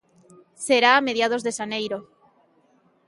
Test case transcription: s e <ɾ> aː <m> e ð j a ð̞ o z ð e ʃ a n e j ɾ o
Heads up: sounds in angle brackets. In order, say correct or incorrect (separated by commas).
correct, correct